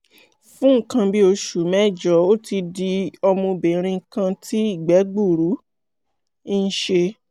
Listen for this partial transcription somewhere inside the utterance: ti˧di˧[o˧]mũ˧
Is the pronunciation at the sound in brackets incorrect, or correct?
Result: incorrect